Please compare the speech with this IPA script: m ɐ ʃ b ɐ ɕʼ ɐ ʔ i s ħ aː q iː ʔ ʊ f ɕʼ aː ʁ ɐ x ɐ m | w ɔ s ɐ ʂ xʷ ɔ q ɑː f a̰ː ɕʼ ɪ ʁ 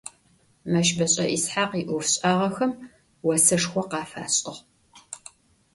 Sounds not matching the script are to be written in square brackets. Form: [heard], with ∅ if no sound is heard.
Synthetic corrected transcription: m ɐ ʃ b ɐ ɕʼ ɐ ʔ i s ħ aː q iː ʔ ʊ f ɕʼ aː ʁ ɐ x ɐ m | w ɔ s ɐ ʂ xʷ ɔ q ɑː f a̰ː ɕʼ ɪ ʁ